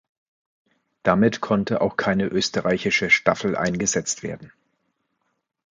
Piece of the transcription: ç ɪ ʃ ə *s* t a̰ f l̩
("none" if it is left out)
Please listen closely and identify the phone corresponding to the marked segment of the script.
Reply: ʃ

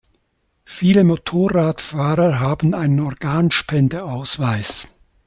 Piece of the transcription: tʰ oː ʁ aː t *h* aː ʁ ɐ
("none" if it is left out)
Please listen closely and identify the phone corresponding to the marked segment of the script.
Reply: f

